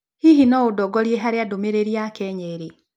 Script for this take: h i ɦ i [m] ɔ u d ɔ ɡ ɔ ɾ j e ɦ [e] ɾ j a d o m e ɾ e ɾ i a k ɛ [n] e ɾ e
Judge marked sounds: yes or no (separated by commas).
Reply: no, no, no